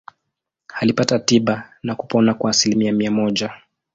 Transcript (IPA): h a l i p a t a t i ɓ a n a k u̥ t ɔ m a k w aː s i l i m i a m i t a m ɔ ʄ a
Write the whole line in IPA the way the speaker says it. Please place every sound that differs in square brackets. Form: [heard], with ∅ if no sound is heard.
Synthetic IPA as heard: h a l i p a t a t i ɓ a n a k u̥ [p] ɔ [n] a k w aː s i l i m i a m i [∅] a m ɔ ʄ a